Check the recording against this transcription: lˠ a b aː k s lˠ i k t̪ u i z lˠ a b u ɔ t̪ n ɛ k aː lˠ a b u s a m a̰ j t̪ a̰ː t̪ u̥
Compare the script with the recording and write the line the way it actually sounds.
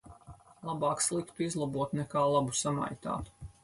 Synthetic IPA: lˠ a b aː k s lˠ i k t̪ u i z lˠ a b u ɔ t̪ n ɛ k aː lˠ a b u s a m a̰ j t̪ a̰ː t̪ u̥